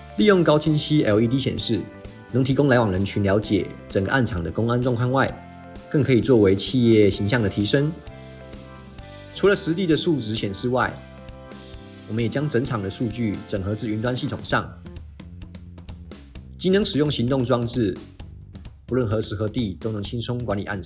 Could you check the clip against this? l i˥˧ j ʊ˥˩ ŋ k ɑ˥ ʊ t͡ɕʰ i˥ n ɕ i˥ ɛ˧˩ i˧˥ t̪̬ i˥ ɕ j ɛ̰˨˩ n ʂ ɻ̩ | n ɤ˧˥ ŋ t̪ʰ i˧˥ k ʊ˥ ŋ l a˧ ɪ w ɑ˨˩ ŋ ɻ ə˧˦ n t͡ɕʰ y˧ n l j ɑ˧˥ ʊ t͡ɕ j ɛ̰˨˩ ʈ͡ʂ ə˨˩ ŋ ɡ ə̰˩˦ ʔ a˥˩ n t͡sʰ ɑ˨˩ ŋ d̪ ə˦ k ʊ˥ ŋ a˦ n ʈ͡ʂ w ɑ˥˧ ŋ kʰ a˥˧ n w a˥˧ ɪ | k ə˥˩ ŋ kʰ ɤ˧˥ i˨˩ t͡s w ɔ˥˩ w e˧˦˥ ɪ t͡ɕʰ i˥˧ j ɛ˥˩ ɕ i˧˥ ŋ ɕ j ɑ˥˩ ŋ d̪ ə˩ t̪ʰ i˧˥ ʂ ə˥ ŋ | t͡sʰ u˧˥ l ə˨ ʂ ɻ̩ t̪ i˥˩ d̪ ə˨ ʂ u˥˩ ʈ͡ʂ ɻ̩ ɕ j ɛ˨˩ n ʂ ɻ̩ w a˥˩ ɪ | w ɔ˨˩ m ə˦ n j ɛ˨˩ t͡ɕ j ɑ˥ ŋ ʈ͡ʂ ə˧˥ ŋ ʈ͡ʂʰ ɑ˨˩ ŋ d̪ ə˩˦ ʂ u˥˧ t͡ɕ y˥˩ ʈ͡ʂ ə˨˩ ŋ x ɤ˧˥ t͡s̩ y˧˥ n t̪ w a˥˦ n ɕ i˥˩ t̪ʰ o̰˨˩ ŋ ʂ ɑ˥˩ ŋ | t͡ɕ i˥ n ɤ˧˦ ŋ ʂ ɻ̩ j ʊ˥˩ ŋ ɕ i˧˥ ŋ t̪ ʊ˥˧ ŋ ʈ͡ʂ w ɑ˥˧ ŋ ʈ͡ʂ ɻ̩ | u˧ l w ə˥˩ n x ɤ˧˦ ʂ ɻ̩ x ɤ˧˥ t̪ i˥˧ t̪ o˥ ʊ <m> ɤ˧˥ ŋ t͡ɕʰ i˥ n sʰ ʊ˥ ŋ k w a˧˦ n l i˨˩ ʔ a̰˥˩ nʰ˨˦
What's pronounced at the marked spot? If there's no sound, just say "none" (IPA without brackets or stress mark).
n